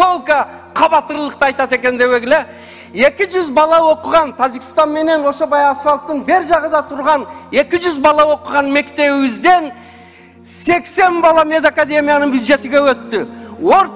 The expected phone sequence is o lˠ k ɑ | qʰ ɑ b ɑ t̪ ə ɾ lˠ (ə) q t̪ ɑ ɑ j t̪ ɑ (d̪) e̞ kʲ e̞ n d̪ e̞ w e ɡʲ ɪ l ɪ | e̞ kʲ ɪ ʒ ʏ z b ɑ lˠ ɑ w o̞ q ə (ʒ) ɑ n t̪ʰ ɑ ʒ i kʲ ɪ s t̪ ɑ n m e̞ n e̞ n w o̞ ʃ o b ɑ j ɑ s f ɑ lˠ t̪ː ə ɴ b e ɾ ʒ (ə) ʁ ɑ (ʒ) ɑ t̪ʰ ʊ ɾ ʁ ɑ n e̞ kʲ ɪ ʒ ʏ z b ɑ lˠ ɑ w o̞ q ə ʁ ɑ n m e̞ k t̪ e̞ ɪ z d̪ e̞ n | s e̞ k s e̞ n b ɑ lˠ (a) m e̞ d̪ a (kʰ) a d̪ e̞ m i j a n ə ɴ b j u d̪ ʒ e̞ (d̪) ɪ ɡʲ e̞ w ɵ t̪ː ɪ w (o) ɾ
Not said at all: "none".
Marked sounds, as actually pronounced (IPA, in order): ə, t̪, ʁ, ɑ, z, ɑ, k, t̪, o

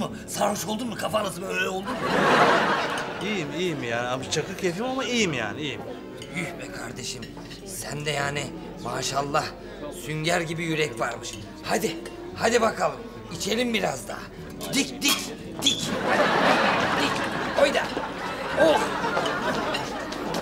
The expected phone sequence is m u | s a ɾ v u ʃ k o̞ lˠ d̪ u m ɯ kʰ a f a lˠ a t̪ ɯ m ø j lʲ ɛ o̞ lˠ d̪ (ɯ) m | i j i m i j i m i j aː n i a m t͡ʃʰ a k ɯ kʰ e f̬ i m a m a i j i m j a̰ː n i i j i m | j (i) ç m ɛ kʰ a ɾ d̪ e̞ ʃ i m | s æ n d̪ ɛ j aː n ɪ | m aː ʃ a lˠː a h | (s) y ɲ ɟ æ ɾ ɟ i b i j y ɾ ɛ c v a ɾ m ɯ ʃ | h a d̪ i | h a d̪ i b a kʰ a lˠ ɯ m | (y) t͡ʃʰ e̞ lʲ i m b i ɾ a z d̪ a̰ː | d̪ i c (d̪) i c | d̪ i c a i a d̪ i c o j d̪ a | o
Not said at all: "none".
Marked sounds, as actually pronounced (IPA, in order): u, y, s, i, d̪

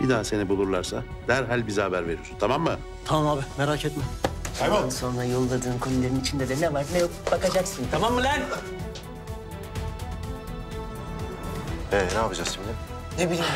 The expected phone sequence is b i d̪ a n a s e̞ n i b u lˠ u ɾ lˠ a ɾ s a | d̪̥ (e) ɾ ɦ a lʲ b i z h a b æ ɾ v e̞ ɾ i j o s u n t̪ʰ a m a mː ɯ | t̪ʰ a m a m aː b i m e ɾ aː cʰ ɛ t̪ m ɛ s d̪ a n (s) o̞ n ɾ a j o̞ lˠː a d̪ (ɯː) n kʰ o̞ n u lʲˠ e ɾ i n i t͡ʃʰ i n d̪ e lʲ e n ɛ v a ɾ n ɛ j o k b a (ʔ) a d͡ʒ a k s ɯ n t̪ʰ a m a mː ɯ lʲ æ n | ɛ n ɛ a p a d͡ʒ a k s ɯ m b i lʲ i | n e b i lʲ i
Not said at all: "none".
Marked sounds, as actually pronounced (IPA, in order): æ, s, ɯː, k

